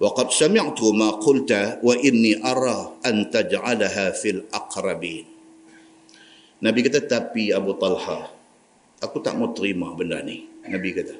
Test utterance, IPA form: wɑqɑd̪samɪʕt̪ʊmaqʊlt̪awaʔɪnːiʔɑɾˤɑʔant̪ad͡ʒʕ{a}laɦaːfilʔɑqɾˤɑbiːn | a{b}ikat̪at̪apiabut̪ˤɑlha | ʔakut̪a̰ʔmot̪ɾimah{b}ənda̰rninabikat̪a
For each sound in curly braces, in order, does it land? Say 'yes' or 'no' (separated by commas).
yes, yes, yes